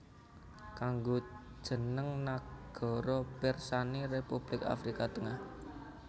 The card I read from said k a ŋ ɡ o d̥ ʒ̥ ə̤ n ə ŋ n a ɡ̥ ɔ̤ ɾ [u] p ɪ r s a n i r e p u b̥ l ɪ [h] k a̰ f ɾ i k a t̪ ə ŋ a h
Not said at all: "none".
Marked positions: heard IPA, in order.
ɔ, none

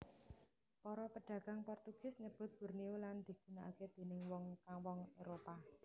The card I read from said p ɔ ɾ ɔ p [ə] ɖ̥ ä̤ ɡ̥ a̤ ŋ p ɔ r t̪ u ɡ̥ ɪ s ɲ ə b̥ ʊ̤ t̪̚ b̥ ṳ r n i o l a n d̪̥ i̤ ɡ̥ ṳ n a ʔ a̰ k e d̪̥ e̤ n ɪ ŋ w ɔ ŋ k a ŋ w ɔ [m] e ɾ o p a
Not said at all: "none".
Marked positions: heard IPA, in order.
ə, ŋ

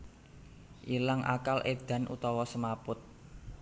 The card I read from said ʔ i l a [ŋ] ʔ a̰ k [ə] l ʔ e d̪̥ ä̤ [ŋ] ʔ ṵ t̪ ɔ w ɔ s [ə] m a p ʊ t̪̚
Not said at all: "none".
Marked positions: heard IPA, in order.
ŋ, a, n, ə

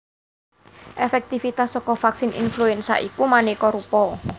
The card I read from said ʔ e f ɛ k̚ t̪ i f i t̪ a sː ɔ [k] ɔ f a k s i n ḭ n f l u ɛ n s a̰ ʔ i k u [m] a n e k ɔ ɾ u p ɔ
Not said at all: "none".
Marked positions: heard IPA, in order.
k, m

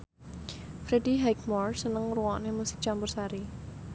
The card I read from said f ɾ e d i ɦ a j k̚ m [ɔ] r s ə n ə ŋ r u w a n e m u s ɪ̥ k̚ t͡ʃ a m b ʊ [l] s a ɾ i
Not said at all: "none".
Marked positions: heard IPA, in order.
ɔ, r

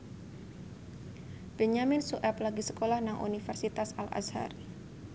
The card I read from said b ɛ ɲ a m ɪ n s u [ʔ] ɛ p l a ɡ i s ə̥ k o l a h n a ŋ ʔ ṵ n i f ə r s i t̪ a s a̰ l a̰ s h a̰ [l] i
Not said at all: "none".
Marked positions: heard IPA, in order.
ʔ, ɾ

